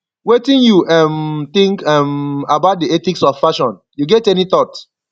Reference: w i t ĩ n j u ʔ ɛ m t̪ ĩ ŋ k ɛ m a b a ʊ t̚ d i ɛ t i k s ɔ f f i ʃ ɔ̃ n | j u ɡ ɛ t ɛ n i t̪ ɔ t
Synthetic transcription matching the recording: w e t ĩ n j u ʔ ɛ m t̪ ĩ ŋ k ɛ m a b a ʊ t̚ d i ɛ t i k s ɔ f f a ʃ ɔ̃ n | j u ɡ ɛ t ɛ n i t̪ ɔ t